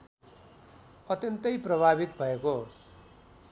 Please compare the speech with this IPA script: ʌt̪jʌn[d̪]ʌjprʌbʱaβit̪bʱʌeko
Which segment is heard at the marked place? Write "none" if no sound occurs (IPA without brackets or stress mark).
t̪